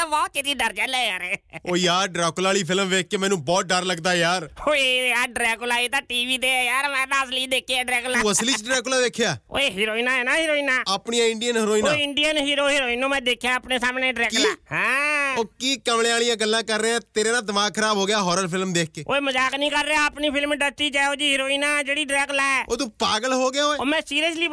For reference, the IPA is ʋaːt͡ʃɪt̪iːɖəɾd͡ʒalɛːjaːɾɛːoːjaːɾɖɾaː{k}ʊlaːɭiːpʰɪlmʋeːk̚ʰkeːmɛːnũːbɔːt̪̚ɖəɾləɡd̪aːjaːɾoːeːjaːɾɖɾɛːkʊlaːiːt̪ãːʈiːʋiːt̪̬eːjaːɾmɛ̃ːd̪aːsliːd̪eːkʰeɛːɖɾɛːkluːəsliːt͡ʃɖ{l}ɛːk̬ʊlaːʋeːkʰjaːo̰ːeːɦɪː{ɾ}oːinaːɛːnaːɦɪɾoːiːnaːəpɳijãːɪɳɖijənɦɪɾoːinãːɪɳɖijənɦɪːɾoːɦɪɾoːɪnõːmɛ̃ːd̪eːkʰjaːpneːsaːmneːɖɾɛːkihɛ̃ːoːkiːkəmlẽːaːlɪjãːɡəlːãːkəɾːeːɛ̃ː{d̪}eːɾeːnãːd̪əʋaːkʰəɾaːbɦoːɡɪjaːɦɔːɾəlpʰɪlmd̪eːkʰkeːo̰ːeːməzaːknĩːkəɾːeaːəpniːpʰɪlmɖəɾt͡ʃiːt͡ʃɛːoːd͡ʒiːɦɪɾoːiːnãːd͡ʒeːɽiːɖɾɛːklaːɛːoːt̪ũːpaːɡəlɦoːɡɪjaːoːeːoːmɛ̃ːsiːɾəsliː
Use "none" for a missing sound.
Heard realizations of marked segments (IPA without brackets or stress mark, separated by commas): k, ɾ, ɾ, t̪